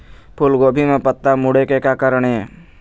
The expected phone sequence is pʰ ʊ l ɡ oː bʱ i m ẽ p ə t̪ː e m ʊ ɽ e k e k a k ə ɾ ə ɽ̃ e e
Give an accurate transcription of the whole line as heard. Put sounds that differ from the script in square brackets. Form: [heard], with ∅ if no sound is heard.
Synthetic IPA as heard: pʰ ʊ l ɡ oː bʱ i m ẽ p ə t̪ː [a] m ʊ ɽ e k e k a k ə ɾ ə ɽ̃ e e